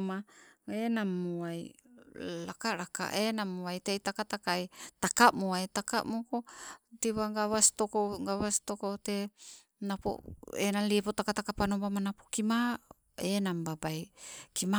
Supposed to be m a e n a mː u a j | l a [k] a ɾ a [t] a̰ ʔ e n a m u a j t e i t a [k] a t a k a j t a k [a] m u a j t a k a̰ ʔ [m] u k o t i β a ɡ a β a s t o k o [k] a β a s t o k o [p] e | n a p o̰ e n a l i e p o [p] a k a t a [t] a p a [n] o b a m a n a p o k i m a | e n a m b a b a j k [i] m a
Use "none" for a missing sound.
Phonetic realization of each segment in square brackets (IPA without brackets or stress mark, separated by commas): k, k, k, a, m, ɡ, t, t, k, n, i